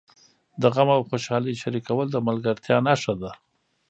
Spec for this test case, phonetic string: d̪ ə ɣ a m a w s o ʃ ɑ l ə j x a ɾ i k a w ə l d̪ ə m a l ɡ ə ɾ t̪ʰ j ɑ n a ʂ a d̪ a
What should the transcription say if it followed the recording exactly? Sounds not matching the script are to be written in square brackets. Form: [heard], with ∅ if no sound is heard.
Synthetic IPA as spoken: d̪ ə ɣ a m a w [x] o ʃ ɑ l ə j [ʃ] a ɾ i k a w ə l d̪ ə m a l ɡ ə ɾ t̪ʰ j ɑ n a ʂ a d̪ a